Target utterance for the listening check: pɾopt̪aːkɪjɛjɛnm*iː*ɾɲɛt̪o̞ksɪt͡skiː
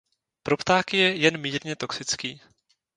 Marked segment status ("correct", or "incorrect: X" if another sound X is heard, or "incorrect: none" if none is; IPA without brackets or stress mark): correct